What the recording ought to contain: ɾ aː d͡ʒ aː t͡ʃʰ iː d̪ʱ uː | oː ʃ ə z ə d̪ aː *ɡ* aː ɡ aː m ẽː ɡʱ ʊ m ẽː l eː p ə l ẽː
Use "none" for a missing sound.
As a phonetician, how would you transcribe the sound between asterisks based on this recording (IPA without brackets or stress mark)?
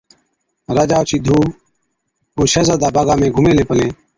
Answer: b